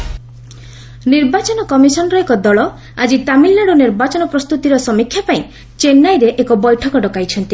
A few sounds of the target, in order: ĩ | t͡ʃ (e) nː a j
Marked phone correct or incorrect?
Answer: correct